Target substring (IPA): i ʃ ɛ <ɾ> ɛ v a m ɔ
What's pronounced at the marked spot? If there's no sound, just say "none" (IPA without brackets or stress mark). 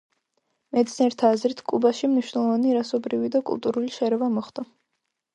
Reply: ɾ